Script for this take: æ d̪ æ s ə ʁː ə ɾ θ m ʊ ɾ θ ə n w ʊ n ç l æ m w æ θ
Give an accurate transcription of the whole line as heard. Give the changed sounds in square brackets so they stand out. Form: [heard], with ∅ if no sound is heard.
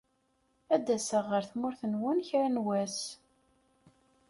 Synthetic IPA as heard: æ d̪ æ s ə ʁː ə ɾ θ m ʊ ɾ θ ə n w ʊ n ç [ɾ] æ [n] w æ [s]